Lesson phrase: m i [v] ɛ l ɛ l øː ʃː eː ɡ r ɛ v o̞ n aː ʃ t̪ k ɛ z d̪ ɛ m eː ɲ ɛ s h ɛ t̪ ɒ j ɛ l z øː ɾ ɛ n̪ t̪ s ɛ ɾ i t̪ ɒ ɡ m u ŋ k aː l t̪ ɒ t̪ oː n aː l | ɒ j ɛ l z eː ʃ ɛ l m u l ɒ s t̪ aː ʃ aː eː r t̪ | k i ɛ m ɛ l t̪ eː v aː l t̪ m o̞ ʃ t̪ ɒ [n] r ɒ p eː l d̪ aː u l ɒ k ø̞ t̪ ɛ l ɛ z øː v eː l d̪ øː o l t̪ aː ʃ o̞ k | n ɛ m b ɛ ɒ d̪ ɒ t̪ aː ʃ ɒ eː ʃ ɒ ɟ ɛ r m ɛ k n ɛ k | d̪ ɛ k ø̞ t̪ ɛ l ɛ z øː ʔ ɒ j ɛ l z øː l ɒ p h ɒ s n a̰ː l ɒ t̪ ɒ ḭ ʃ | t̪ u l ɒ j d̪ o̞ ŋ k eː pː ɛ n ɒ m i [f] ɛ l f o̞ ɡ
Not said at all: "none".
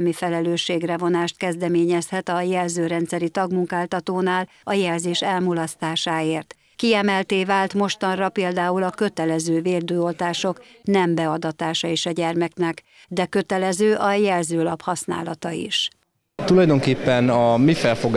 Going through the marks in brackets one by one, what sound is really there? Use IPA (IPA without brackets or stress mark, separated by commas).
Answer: f, n, f